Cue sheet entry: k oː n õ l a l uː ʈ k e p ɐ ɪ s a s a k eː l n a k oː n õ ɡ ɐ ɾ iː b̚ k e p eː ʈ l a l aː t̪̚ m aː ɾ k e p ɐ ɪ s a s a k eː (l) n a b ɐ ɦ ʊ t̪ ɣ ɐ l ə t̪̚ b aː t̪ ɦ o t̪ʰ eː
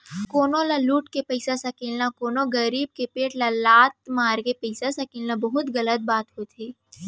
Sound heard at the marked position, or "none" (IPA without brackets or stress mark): l